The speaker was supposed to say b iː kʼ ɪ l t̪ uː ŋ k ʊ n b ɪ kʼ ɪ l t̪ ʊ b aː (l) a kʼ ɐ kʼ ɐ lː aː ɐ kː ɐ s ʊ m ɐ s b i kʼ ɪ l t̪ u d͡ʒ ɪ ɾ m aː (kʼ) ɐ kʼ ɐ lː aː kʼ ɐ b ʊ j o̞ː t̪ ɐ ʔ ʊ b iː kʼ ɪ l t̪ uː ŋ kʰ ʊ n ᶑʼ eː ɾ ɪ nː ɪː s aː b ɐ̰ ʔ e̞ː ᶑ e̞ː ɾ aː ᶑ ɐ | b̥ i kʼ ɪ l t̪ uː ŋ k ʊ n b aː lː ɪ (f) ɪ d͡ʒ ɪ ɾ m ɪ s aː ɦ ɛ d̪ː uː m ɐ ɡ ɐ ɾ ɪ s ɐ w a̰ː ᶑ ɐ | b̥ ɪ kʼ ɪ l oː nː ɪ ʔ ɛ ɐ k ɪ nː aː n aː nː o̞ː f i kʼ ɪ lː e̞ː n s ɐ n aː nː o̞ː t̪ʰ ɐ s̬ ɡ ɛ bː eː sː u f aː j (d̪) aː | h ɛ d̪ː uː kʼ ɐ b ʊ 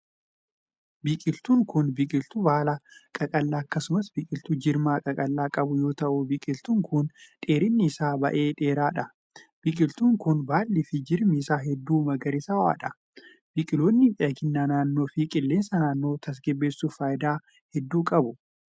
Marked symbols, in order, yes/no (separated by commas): yes, yes, yes, yes